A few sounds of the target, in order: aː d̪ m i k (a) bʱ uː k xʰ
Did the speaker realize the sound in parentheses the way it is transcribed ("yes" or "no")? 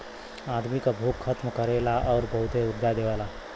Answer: yes